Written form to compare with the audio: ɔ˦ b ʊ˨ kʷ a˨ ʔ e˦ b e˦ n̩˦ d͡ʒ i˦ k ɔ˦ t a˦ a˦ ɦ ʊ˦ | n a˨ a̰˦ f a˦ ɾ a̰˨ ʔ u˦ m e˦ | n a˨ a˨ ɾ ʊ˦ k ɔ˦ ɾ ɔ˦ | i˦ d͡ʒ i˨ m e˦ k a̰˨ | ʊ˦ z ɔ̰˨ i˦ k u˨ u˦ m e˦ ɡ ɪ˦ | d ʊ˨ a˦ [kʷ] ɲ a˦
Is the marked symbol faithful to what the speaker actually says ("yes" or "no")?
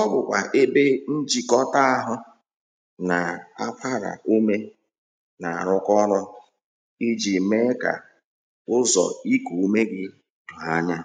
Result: no